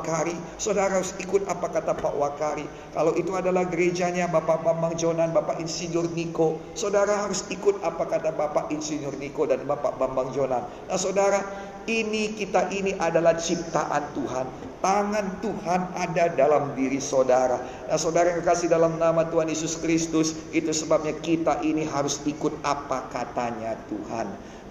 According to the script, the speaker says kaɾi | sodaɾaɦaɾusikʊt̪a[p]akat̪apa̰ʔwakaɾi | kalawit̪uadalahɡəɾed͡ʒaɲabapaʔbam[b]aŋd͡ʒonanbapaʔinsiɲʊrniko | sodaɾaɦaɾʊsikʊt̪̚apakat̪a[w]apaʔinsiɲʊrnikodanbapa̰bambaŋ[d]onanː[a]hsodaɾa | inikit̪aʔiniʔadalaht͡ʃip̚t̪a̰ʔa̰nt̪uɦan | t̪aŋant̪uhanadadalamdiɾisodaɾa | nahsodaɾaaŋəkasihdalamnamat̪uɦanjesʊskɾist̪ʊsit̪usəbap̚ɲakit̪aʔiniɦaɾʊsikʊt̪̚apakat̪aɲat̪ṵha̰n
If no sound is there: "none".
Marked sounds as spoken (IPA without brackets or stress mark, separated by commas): p, b, b, d͡ʒ, a